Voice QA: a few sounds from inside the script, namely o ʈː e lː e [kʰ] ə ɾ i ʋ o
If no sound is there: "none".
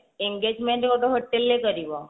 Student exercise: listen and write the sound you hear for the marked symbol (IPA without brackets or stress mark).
k